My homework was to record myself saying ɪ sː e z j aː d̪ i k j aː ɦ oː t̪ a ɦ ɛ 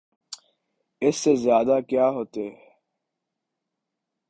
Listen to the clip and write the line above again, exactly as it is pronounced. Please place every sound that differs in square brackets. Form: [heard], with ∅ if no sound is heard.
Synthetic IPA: ɪ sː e z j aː d̪ [a] k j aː ɦ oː t̪ [e] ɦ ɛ